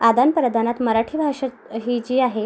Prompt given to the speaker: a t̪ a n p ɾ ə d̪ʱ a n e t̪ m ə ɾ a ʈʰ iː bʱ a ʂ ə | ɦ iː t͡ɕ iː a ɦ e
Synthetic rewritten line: a d̪ a n p ɾ ə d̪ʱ a n a t̪ m ə ɾ a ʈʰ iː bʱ a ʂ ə | ɦ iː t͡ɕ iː a ɦ e